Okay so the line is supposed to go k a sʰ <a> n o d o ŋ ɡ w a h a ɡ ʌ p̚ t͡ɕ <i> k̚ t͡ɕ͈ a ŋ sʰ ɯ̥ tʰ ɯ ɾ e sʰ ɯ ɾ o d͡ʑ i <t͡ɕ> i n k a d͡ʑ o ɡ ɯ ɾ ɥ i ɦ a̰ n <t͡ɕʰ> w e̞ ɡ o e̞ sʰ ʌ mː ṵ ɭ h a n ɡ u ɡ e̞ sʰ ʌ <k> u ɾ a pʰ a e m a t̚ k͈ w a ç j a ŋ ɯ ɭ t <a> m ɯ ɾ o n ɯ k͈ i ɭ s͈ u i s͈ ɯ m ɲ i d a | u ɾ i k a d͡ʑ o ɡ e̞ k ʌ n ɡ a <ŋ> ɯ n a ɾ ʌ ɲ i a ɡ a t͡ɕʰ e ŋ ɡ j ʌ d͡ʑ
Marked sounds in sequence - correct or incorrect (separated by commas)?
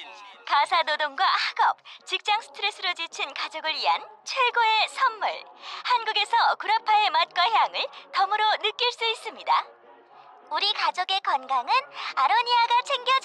correct, correct, incorrect, correct, correct, incorrect, correct